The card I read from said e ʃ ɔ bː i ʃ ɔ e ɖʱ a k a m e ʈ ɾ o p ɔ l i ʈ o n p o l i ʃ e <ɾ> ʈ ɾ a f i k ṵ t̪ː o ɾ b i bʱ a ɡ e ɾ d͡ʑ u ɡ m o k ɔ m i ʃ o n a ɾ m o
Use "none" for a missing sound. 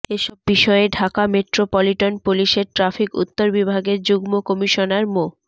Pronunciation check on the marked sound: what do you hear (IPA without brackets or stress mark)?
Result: ɾ